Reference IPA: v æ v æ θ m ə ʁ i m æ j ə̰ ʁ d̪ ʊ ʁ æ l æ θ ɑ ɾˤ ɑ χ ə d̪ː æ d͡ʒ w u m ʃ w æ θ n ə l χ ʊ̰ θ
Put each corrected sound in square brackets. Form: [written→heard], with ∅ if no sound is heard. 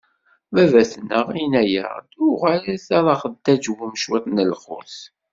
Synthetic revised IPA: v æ v æ θ [m→n] ə ʁ i [m→n] æ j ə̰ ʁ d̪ ʊ ʁ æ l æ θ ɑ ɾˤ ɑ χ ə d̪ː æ d͡ʒ w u m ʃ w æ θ n ə l χ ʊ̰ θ